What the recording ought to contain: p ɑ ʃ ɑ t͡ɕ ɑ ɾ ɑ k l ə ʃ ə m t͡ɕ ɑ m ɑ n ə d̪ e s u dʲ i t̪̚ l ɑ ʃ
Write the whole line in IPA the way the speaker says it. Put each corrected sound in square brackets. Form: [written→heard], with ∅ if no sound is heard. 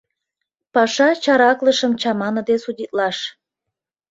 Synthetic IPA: p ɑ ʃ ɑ t͡ɕ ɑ ɾ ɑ k l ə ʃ ə m t͡ɕ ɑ m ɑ n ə d̪ e s u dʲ i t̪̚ l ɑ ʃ

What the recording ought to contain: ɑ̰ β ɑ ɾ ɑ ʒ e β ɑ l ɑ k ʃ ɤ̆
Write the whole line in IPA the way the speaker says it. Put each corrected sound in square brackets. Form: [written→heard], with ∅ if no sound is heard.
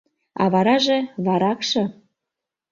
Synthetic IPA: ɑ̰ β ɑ ɾ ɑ ʒ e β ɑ [l→ɾ] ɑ k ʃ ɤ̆

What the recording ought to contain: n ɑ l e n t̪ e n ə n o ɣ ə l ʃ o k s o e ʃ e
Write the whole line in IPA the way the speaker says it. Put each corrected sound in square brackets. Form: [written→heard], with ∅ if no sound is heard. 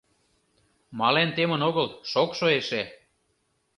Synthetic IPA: [n→m] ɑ l e n t̪ e [n→m] ə n o ɣ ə l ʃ o k [s→ʃ] o e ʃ e

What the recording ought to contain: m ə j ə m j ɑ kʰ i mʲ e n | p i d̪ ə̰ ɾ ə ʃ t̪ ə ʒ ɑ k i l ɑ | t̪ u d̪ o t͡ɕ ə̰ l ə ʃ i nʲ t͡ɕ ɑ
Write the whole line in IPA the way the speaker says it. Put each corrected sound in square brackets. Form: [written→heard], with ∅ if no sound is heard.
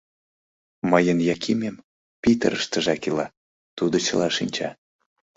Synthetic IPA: m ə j ə [m→n] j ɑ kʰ i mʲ e [n→m] | p i [d̪→t̪] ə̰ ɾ ə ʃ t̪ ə ʒ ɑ k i l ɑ | t̪ u d̪ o t͡ɕ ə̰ l [ə→ɑ] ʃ i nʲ t͡ɕ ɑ

